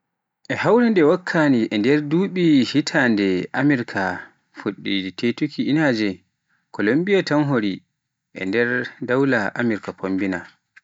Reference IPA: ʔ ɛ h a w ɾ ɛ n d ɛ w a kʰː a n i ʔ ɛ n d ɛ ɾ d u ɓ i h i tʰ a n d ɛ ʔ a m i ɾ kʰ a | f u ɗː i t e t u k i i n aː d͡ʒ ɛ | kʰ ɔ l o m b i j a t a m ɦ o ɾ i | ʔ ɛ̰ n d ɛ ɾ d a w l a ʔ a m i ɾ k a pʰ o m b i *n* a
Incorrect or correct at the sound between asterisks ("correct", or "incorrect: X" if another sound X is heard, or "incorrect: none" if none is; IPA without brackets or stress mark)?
correct